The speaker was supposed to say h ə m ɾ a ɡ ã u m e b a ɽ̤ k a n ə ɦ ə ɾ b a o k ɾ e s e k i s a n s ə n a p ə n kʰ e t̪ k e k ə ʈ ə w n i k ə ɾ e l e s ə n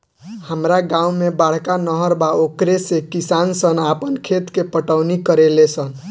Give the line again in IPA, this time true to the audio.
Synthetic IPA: h ə m ɾ a ɡ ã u m e b a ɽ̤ k a n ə ɦ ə ɾ b a o k ɾ e s e k i s a n s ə n a p ə n kʰ e t̪ k e p ə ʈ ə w n i k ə ɾ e l e s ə n